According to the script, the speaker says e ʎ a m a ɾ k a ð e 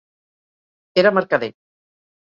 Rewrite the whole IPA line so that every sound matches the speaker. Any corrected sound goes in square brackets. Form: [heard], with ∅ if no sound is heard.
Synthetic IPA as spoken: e [ɾ] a m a ɾ k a ð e